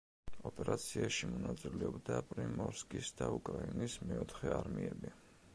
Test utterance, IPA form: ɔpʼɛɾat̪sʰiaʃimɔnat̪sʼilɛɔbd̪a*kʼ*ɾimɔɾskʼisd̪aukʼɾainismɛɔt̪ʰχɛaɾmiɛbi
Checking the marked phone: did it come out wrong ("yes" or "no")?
yes